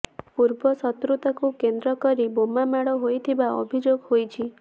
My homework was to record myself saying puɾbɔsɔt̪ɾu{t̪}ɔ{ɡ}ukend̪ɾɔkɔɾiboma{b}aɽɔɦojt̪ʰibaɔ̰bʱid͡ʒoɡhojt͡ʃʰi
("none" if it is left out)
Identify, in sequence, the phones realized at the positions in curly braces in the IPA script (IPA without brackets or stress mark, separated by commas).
t̪, k, m